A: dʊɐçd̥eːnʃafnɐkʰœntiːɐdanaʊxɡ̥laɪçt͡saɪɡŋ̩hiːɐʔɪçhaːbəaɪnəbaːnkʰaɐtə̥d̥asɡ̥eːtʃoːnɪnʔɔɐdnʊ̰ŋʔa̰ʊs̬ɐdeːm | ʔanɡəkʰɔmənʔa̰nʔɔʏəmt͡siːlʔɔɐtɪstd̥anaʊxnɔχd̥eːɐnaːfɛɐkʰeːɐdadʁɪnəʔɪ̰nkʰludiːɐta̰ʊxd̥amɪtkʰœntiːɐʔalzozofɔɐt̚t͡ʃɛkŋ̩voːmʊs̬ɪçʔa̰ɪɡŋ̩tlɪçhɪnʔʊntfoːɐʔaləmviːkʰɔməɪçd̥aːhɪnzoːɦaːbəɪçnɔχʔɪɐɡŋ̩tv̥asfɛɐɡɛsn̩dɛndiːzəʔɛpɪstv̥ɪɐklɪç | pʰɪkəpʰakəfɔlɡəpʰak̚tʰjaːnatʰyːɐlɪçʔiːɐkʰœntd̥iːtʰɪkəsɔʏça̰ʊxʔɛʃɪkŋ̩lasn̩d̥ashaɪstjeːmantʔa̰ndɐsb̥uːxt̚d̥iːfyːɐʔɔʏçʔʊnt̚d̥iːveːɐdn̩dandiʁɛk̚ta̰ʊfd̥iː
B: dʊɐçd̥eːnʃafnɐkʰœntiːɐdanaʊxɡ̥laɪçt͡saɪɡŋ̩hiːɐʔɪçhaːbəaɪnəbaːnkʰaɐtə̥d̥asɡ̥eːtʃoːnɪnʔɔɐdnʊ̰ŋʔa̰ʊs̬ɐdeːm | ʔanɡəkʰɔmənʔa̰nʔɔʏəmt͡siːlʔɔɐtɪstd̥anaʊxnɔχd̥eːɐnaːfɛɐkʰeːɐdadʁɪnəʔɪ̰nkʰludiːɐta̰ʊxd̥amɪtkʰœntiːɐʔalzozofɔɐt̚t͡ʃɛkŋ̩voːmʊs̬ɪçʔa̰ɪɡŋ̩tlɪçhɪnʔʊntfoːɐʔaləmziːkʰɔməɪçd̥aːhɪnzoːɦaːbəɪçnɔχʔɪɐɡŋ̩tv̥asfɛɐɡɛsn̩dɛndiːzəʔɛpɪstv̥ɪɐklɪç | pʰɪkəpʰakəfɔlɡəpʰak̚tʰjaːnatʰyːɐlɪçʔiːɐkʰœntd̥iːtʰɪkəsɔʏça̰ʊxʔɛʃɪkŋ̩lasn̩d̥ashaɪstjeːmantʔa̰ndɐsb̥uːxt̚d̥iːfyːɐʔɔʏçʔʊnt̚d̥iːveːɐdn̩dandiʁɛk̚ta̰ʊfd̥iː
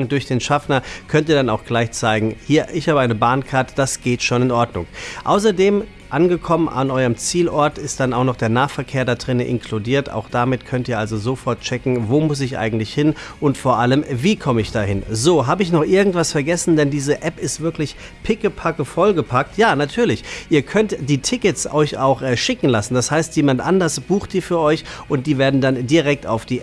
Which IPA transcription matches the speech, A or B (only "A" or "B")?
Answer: A